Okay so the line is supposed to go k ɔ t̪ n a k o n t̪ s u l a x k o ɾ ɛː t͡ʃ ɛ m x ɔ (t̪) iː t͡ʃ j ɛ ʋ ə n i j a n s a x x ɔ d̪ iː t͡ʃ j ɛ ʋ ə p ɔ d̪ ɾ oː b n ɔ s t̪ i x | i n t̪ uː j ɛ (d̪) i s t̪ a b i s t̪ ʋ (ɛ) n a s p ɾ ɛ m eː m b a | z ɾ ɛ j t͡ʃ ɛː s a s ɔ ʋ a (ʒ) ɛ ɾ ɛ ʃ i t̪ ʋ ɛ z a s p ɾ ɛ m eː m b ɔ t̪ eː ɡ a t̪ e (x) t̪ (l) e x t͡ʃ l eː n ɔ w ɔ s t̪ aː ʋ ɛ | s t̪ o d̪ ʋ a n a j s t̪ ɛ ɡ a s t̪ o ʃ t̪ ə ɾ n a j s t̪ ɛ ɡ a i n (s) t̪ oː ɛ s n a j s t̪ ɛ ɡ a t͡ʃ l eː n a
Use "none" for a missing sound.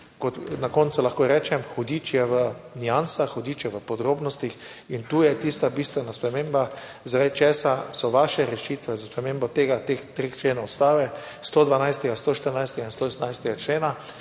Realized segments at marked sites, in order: d̪, t̪, ɛ, ʃ, x, ɾ, s

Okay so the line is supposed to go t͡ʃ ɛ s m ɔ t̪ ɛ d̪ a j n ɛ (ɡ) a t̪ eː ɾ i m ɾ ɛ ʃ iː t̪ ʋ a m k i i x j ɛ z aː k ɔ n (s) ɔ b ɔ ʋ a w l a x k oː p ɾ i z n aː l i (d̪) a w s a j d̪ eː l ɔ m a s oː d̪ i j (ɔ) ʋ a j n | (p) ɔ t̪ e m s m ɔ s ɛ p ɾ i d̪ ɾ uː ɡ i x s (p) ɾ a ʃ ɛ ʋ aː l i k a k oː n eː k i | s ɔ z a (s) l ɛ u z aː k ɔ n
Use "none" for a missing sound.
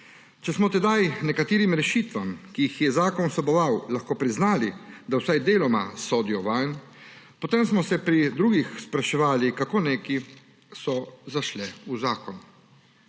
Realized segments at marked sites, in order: k, s, d̪, ɔ, p, p, ʃ

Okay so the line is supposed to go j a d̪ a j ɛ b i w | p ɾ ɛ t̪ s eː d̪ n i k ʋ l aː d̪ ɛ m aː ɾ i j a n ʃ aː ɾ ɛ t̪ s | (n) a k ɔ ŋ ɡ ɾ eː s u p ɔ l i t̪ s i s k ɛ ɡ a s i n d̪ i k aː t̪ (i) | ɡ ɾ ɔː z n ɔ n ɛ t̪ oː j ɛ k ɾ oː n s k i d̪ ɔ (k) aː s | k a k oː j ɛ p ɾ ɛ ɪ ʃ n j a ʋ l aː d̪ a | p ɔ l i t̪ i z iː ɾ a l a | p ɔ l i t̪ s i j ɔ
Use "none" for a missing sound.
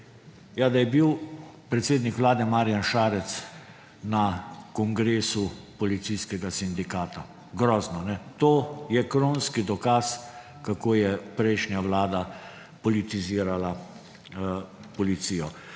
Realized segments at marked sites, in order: n, a, k

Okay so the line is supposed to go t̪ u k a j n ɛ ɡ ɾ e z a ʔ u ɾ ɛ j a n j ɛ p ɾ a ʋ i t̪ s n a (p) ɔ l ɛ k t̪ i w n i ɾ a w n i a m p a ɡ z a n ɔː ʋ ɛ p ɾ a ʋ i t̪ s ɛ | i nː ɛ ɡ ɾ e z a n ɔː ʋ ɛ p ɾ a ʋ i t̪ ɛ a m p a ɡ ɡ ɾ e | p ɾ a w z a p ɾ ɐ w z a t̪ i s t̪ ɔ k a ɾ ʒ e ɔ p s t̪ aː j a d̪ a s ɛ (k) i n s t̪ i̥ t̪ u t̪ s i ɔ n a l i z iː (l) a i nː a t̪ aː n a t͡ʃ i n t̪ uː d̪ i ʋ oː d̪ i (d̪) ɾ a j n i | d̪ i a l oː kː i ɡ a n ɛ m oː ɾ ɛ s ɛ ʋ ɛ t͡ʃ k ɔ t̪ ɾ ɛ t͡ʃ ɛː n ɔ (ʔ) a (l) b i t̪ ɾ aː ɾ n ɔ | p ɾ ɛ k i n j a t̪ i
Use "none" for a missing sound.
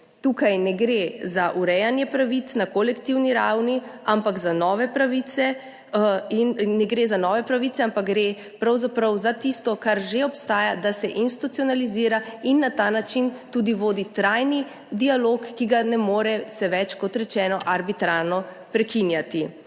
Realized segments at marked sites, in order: k, ʔ, ɾ, t̪, ʔ, ɾ

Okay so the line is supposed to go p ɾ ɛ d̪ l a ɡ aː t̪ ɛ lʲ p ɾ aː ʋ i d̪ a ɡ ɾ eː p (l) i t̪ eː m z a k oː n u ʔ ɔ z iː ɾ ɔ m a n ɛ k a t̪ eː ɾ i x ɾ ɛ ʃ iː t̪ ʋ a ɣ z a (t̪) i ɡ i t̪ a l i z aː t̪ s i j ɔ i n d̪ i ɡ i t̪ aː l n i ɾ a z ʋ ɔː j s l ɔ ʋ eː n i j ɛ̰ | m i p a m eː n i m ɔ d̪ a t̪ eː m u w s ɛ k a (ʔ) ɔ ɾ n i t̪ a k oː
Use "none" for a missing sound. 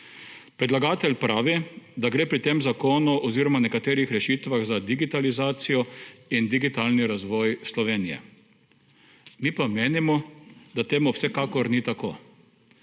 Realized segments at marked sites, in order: ɾ, d̪, k

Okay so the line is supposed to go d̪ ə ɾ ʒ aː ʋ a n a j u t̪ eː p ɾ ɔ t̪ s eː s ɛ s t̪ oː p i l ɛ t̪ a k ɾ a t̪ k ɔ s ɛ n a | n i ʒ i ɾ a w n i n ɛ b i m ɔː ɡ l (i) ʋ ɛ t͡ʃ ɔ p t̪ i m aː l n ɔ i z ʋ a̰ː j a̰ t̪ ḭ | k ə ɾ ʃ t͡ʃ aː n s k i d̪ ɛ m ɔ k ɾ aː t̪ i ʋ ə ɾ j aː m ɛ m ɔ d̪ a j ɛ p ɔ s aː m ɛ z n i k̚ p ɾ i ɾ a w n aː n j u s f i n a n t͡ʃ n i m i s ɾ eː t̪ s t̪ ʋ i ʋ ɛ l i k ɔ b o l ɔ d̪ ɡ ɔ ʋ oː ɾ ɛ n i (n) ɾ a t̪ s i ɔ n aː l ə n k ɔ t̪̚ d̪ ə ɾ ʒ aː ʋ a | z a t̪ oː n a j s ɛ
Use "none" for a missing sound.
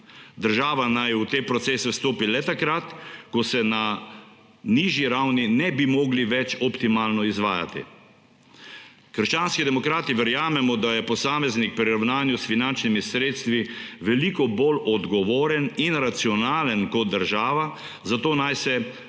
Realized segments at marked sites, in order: i, n

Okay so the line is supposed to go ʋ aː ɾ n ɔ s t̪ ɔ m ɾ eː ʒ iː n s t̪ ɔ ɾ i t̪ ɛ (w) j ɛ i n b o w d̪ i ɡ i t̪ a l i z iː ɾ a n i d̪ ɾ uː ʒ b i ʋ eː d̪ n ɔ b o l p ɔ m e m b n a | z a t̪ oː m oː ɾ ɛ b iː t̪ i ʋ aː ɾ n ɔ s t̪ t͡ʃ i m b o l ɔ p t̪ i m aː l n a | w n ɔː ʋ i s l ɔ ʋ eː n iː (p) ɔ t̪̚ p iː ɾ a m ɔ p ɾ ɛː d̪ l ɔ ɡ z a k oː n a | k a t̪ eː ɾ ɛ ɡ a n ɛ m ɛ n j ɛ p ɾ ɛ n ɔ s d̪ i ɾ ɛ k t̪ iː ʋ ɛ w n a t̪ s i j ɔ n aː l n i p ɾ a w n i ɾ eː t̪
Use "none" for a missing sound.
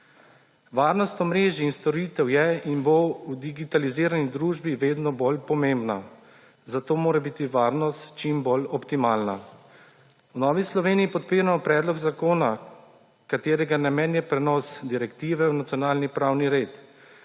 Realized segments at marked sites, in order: w, p

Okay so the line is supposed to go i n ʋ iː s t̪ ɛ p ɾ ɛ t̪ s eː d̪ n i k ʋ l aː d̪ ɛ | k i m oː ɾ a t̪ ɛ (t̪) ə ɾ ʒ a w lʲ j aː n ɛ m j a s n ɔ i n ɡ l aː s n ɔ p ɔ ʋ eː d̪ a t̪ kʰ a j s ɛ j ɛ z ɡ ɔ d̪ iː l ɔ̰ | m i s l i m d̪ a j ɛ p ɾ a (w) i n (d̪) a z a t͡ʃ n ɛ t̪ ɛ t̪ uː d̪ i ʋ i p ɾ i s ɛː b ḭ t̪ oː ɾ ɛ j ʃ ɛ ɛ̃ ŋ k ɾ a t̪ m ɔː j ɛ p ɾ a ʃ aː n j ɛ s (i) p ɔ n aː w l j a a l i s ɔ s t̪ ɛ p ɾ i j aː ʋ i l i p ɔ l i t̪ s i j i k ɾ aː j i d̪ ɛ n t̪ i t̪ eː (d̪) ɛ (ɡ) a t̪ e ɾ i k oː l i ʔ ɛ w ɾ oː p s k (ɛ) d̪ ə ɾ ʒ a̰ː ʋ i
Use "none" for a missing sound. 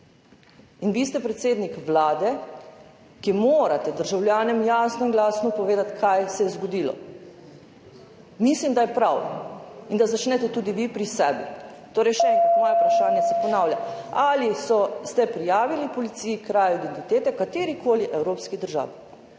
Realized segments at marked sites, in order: d̪, w, d̪, ɛ, t̪, k, i

